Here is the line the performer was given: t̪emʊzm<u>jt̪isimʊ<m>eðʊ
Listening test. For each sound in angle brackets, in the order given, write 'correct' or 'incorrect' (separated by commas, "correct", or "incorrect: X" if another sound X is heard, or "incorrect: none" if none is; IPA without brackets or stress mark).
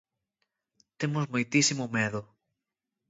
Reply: incorrect: o, correct